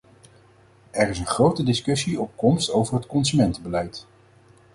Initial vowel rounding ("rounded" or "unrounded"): unrounded